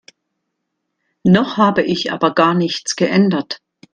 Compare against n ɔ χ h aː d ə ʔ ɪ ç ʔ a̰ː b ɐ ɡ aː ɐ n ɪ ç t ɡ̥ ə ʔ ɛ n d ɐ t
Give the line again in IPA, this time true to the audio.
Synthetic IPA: n ɔ χ h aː b ə ʔ ɪ ç ʔ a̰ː b ɐ ɡ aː ɐ n ɪ ç t͡s ɡ̥ ə ʔ ɛ n d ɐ t